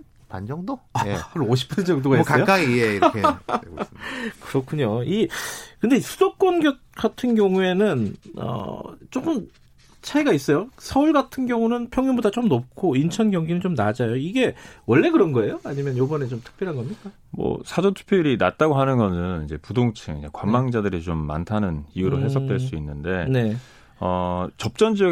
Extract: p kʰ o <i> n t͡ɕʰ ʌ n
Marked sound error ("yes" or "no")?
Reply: no